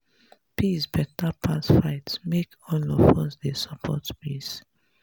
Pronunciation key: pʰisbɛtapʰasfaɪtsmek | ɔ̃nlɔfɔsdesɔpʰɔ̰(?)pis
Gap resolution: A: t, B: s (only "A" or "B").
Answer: A